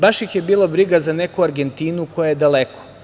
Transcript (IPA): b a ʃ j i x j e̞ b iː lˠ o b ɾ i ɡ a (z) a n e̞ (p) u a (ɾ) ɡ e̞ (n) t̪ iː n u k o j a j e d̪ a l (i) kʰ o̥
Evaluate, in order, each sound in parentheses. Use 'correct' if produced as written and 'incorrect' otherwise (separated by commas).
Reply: correct, incorrect, correct, correct, incorrect